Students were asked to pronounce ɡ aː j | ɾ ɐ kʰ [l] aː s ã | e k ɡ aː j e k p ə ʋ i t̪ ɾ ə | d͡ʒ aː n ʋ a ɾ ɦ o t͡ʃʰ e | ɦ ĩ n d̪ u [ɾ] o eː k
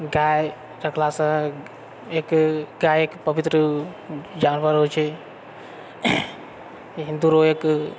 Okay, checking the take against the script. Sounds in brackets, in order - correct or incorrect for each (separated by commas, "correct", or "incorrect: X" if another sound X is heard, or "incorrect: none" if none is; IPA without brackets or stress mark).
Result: correct, correct